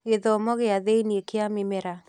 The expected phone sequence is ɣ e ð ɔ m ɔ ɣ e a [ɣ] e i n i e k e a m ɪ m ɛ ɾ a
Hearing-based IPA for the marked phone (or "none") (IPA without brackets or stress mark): ð